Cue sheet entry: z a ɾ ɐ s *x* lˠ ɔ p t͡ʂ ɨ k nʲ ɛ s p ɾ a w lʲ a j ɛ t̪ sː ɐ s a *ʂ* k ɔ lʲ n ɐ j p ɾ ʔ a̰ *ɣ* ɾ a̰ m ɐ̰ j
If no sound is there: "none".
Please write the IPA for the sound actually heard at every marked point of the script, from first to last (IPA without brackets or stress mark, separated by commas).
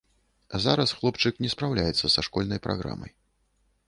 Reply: x, ʂ, ɣ